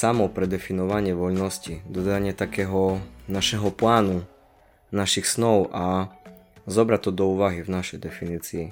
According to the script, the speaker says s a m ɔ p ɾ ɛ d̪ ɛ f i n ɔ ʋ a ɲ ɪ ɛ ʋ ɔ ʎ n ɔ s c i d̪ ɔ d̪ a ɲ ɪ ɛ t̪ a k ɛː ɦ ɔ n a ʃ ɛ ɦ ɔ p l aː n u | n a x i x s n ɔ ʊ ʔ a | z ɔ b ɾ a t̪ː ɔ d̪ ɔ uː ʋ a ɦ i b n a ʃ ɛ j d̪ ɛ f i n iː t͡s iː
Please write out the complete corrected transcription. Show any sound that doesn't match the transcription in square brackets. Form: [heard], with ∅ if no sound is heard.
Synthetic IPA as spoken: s a m ɔ p ɾ ɛ d̪ ɛ f i n ɔ ʋ a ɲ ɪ ɛ ʋ ɔ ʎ n ɔ s c i d̪ ɔ d̪ a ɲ ɪ ɛ t̪ a k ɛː ɦ ɔ n a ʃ ɛ ɦ ɔ p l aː n u | n a [ʃ] i x s n ɔ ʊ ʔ a | z ɔ b ɾ a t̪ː ɔ d̪ ɔ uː ʋ a ɦ i [v] n a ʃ ɛ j d̪ ɛ f i n iː t͡s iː